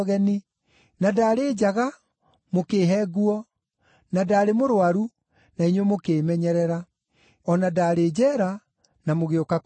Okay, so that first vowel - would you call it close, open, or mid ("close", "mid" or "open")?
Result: mid